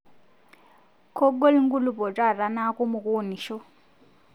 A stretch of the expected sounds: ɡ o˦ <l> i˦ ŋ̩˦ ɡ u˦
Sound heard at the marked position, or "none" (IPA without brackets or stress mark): l